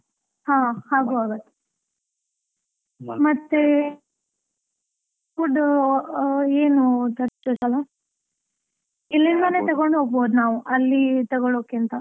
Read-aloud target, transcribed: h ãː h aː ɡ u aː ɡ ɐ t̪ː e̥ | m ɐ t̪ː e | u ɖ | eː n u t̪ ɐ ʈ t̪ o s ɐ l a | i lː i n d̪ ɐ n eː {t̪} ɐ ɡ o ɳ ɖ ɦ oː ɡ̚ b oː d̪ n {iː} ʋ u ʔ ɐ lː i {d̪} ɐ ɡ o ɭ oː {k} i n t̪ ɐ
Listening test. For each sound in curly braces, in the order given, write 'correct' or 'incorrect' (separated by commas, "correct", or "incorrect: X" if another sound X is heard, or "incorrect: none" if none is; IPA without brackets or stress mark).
correct, incorrect: aː, incorrect: t̪, correct